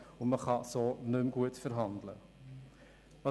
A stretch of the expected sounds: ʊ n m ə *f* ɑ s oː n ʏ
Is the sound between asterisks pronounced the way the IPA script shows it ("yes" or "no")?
no